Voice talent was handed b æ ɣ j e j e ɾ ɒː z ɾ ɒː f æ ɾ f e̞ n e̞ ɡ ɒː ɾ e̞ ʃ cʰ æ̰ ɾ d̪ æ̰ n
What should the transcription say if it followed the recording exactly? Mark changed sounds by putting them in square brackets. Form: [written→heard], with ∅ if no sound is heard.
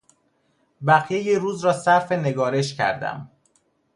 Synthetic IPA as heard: b æ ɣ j e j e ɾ [ɒː→uː] z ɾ ɒː [f→s] æ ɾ f e̞ n e̞ ɡ ɒː ɾ e̞ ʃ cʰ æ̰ ɾ d̪ æ̰ [n→m]